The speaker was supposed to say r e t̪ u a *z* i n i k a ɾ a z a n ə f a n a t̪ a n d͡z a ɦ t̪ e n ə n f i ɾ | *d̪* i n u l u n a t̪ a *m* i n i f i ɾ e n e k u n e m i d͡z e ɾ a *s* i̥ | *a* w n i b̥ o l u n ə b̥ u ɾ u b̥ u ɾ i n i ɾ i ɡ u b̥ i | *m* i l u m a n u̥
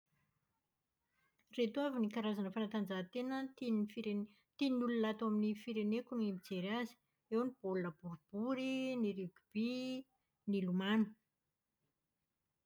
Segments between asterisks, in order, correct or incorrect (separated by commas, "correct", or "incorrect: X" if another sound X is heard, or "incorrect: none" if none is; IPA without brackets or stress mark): incorrect: v, incorrect: t̪, correct, incorrect: z, incorrect: e, incorrect: n